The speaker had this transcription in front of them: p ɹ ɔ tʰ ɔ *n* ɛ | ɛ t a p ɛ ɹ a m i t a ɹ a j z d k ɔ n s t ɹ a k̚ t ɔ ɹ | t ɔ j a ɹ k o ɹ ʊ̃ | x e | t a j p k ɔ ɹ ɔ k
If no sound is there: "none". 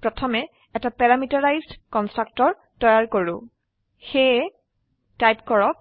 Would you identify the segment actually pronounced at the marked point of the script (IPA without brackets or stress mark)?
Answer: m